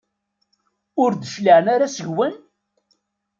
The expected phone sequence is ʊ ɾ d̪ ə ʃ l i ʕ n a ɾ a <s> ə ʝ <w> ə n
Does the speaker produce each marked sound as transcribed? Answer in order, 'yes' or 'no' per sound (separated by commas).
yes, yes